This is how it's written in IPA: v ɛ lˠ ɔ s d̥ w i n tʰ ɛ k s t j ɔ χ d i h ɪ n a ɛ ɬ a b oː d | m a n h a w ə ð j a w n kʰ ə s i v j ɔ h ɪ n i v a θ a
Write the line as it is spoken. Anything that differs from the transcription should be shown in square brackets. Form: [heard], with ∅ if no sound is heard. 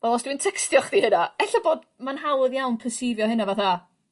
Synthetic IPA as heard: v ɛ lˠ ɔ s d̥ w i n tʰ ɛ k s t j ɔ χ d i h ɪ n a ɛ ɬ a b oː d | m a n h a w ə ð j a w n [pʰ] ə s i v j ɔ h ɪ n [a] v a θ a

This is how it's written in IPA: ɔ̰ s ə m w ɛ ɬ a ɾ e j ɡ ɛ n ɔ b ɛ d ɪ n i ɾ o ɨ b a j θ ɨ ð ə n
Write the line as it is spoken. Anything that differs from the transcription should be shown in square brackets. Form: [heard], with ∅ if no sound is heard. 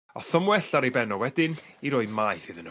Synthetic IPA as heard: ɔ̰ [θ] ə m w ɛ ɬ a ɾ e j [b] ɛ n ɔ [w] ɛ d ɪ n i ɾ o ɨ [m] a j θ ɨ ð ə n

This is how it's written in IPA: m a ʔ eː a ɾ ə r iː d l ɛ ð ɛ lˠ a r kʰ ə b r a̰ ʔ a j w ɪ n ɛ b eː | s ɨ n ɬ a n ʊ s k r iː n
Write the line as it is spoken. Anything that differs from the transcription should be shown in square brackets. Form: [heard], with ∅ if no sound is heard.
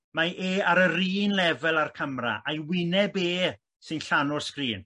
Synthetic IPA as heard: m a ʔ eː a ɾ ə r iː [n] l ɛ [v] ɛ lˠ a r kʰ ə [m] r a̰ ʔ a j w ɪ n ɛ b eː | s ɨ n ɬ a n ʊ s k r iː n

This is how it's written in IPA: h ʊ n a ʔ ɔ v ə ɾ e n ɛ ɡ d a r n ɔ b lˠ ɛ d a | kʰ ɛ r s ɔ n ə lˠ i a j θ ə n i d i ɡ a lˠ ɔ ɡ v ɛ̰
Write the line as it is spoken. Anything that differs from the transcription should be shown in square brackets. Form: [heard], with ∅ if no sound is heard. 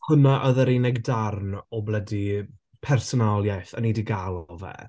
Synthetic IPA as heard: h ʊ n a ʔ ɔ [ð] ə ɾ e n ɛ ɡ d a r n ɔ b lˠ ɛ d [i] | [pʰ] ɛ r s ɔ n [a] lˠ [j] a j θ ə n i d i ɡ a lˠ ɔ [∅] v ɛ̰

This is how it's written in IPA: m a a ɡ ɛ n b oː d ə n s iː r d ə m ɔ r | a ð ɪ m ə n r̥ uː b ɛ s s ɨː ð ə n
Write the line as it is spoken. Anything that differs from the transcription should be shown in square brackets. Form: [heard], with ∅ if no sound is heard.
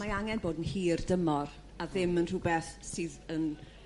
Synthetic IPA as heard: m a a [ŋ] ɛ n b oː d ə n [h] iː r d ə m ɔ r | a ð ɪ m ə n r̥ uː b ɛ [θ] s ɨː ð ə n

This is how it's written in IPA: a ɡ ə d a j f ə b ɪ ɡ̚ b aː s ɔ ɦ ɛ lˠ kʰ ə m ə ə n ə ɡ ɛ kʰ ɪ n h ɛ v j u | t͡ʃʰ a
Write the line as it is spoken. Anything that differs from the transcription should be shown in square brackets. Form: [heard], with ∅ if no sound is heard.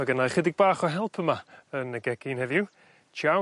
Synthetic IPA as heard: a ɡ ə [n] a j [χ] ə [d] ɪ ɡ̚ b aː [χ] ɔ ɦ ɛ lˠ [pʰ] ə m [a] ə n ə ɡ ɛ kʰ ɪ n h ɛ v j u | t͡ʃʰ a

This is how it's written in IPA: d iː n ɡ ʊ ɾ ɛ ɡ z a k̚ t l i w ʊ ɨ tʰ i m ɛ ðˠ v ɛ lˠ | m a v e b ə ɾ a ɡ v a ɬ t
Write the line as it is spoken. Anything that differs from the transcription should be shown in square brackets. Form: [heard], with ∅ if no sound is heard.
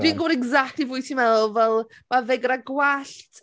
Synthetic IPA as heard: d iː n ɡ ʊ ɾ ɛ ɡ z a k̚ t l i [v] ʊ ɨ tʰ i m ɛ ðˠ v ɛ lˠ | m a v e [ɡ] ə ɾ a ɡ [w] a ɬ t

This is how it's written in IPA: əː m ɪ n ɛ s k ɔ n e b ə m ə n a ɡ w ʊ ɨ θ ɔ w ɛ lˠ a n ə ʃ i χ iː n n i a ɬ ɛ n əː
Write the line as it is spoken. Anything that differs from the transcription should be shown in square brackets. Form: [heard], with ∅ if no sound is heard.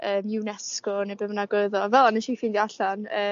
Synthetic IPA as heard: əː m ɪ n ɛ s k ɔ n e b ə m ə n a ɡ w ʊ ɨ [ð] ɔ [v] ɛ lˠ a n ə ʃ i [f] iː n [d] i a ɬ [a] n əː

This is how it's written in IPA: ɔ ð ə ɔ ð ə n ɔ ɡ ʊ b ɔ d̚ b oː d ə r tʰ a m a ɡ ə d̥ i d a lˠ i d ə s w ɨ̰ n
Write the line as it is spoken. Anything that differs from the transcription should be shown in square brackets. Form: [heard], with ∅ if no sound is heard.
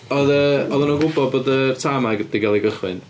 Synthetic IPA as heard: ɔ ð ə ɔ ð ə n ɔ ɡ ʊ b ɔ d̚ b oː d ə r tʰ a m a ɡ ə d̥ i [ɡ] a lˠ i [ɡ] ə [χ] w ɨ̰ n

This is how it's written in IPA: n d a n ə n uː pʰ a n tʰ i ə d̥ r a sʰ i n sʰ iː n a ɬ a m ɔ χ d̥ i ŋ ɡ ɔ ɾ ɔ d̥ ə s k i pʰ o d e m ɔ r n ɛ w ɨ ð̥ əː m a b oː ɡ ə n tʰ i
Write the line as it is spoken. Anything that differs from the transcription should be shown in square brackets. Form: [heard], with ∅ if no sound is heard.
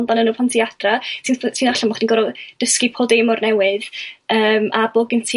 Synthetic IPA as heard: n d a n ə n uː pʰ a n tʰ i [a] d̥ r a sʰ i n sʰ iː n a ɬ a m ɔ χ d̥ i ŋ ɡ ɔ ɾ ɔ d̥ ə s k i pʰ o d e m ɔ r n ɛ w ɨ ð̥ əː m a b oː ɡ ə n tʰ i

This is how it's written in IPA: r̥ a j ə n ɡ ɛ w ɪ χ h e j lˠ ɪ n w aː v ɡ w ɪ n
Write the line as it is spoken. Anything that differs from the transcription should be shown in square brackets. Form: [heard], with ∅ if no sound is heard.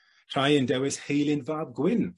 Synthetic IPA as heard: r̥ a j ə n [d] ɛ w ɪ [s] h e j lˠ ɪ n [v] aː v ɡ w ɪ n

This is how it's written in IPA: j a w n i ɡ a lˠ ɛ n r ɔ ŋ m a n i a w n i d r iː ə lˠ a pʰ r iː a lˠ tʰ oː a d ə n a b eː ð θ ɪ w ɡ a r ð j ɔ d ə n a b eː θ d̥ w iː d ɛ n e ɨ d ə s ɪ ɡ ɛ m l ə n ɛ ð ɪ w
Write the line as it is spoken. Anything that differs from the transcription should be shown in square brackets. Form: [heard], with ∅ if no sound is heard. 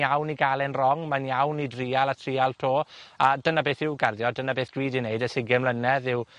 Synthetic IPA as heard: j a w n i ɡ a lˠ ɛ n r ɔ ŋ m a n [j] a w n i d r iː [a] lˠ a [tʰ] r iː a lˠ tʰ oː a d ə n a b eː [∅] θ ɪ w ɡ a r ð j ɔ d ə n a b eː θ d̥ w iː d [i] n e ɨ d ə s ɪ ɡ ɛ m l ə n ɛ ð ɪ w

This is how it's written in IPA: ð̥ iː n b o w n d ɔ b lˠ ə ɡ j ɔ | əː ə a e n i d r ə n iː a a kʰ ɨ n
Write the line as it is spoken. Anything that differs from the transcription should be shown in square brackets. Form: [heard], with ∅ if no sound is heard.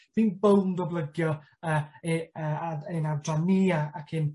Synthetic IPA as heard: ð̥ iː n b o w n d ɔ b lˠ ə ɡ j ɔ | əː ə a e n [a] d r [a] n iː a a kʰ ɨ n

